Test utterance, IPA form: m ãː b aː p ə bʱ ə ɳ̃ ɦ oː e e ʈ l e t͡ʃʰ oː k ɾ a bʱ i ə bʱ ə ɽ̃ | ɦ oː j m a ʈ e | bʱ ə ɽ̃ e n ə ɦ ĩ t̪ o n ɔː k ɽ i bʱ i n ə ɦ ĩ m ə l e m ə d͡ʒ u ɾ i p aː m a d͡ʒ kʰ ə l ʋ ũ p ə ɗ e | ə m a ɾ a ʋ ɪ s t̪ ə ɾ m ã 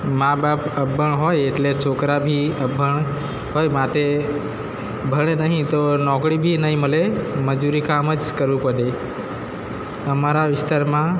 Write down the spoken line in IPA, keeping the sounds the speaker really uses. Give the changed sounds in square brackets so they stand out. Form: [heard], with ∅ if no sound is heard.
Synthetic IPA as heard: m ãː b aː p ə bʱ ə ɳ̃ ɦ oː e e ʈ l e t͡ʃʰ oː k ɾ a bʱ i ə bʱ ə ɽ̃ | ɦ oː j m a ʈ e | bʱ ə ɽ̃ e n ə ɦ ĩ t̪ o n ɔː k ɽ i bʱ i n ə ɦ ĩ m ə l e m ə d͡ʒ u ɾ i [k] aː m [ə] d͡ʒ [k] ə [ɾ] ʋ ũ p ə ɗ e | ə m a ɾ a ʋ ɪ s t̪ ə ɾ m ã